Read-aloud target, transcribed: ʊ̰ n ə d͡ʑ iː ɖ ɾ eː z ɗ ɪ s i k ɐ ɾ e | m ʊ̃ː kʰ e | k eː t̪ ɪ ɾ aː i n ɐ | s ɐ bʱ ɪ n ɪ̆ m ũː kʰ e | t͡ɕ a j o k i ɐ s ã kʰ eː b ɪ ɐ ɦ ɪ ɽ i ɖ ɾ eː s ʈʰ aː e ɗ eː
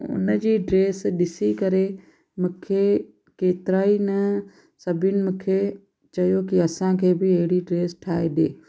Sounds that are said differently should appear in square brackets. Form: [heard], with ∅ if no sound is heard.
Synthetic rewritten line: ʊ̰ n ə d͡ʑ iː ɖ ɾ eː [s] ɗ ɪ s i k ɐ ɾ e | m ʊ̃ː kʰ e | k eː t̪ ɪ ɾ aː i n ɐ | s ɐ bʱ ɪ n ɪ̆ m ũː kʰ e | t͡ɕ [ɐ] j o k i ɐ s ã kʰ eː b ɪ ɐ ɦ ɪ ɽ i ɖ ɾ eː s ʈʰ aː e ɗ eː

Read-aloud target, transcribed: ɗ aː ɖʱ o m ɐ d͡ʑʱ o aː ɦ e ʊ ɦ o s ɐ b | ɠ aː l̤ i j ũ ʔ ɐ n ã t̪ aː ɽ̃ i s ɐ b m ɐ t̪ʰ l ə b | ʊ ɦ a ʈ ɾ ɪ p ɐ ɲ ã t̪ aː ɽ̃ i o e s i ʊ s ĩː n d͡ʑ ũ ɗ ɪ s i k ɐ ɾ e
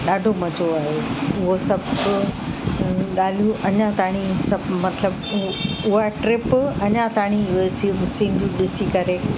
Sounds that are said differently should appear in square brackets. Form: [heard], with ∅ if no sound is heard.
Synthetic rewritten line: ɗ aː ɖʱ o m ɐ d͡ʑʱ o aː ɦ e ʊ ɦ o s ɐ b | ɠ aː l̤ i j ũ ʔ ɐ [ɲ] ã t̪ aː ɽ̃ i s ɐ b m ɐ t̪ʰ l ə b | ʊ ɦ a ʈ ɾ ɪ p ɐ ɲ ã t̪ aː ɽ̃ i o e s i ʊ s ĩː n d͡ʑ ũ ɗ ɪ s i k ɐ ɾ e

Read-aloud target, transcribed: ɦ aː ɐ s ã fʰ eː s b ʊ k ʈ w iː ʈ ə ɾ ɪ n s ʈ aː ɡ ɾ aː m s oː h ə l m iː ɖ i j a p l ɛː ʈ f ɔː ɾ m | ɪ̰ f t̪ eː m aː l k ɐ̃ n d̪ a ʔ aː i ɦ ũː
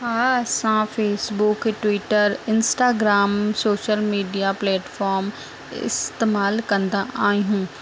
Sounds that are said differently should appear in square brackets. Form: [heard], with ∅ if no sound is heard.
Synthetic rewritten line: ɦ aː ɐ s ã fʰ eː s b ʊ k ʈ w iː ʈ ə ɾ ɪ n s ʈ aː ɡ ɾ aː m s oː [ʃ] ə l m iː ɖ i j a p l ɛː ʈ f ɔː ɾ m | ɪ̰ [s] t̪ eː m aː l k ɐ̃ n d̪ a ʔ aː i ɦ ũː

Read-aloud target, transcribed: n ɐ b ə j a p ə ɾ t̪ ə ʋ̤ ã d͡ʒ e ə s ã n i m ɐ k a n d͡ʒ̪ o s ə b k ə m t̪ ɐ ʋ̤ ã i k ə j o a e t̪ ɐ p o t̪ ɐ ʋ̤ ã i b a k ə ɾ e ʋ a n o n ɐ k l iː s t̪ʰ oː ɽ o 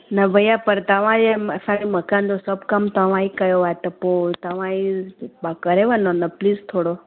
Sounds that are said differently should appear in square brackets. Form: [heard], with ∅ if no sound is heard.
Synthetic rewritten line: n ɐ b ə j a p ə ɾ t̪ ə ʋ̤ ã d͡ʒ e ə s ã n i m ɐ k a n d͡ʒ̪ o s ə b k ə m t̪ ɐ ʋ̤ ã i k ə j o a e t̪ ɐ p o t̪ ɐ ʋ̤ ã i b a k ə ɾ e ʋ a n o n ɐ [p] l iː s t̪ʰ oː ɽ o

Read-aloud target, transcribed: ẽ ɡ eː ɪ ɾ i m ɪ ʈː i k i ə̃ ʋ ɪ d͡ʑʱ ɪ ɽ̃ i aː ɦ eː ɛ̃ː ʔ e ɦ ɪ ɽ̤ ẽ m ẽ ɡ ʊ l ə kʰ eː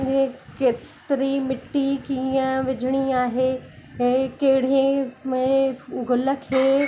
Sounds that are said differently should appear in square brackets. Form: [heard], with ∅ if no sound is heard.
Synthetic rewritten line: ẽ [k] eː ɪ ɾ i m ɪ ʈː i k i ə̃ ʋ ɪ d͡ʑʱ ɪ ɽ̃ i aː ɦ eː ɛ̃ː [k] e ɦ ɪ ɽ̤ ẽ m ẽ ɡ ʊ l ə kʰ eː

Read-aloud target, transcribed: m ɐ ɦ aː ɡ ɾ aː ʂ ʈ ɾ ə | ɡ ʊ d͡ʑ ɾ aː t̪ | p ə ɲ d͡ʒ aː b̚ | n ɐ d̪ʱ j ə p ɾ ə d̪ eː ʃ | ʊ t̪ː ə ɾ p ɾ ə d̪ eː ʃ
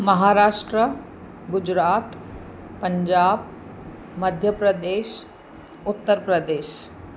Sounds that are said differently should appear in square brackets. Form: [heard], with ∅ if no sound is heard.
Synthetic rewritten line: m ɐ ɦ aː [∅] ɾ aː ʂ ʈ ɾ ə | ɡ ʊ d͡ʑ ɾ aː t̪ | p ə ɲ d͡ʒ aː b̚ | [m] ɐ d̪ʱ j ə p ɾ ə d̪ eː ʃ | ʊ t̪ː ə ɾ p ɾ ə d̪ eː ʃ

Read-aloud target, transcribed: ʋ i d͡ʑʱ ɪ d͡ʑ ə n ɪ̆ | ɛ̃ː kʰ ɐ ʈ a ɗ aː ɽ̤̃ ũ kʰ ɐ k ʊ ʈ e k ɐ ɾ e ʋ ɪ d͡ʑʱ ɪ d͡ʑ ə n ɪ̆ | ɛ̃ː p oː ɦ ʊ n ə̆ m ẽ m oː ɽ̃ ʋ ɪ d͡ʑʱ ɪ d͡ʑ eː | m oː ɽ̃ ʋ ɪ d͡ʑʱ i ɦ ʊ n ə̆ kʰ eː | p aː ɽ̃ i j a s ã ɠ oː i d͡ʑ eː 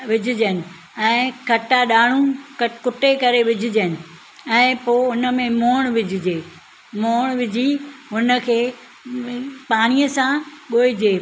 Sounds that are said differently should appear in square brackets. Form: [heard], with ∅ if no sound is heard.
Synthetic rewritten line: ʋ [ɪ] d͡ʑʱ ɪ d͡ʑ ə n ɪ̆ | ɛ̃ː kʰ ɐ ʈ a ɗ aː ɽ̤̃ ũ [k] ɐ k ʊ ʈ e k ɐ ɾ e ʋ ɪ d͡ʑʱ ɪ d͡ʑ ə n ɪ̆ | ɛ̃ː p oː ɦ ʊ n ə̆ m ẽ m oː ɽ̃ ʋ ɪ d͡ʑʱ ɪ d͡ʑ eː | m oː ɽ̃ ʋ ɪ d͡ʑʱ i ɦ ʊ n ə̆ kʰ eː | p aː ɽ̃ i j [ə] s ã ɠ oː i d͡ʑ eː

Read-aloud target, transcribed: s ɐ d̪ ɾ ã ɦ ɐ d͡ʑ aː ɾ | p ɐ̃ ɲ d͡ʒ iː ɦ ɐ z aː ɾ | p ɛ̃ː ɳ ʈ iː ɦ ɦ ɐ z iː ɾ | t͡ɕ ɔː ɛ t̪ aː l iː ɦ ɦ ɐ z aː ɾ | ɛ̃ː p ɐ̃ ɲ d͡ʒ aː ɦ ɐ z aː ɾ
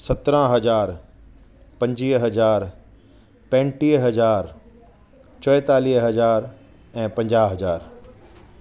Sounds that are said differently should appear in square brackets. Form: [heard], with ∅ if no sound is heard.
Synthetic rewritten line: s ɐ [t̪] ɾ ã ɦ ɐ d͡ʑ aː ɾ | p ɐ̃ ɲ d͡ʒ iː ɦ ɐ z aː ɾ | p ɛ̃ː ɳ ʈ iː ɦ ɦ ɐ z [aː] ɾ | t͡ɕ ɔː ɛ t̪ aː l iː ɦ ɦ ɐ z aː ɾ | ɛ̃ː p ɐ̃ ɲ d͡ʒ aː ɦ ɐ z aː ɾ

